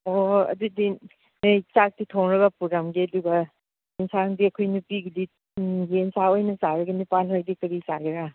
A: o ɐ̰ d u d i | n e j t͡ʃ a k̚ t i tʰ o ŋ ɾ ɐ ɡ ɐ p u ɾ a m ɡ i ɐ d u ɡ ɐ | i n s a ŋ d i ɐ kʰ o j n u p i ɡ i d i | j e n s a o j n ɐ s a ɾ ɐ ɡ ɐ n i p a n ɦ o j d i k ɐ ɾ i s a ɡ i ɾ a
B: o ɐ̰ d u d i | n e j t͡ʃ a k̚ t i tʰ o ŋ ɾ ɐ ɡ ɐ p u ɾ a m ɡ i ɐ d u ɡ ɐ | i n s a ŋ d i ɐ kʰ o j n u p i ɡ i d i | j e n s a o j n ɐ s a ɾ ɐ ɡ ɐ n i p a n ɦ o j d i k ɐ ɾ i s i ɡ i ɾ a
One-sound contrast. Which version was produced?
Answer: A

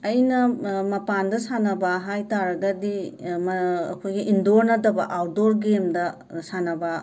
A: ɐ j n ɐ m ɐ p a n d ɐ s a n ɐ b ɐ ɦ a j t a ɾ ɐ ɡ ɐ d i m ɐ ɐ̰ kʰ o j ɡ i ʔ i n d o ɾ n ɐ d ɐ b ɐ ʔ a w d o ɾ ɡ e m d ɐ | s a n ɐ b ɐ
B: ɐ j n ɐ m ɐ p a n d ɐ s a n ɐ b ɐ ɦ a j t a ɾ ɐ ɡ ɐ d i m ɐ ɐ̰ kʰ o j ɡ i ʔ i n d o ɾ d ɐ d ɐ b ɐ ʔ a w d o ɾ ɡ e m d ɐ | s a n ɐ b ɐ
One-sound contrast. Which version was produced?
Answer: A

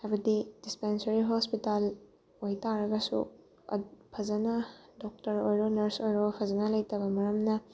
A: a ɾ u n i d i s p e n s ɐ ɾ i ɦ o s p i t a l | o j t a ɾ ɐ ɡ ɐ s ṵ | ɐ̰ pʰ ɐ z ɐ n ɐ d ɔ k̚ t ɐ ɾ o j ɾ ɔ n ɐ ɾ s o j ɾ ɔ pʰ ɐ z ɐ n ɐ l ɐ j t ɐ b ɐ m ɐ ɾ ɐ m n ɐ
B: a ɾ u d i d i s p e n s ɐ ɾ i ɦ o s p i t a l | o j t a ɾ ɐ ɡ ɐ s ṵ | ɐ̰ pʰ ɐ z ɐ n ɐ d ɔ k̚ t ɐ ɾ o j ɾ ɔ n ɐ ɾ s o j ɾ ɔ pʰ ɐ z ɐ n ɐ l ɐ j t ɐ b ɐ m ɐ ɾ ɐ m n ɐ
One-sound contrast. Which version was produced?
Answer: B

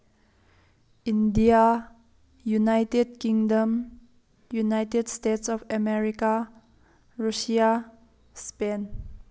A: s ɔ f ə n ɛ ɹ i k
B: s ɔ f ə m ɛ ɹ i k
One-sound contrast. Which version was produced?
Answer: B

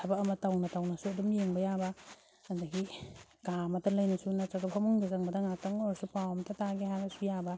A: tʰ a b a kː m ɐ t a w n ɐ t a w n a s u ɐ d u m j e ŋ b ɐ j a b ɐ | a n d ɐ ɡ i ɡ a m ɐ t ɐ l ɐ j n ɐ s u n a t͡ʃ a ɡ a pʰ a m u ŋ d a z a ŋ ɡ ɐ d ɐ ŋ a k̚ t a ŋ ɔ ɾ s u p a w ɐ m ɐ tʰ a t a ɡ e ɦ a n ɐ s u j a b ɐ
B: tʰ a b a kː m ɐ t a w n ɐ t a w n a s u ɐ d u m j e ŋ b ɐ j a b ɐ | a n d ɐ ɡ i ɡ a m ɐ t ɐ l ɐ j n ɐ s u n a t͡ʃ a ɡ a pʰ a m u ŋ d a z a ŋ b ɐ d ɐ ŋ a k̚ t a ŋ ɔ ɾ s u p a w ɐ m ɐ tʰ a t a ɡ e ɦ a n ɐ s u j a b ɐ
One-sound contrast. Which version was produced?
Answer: B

